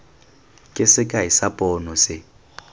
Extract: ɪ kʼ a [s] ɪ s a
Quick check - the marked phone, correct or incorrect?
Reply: incorrect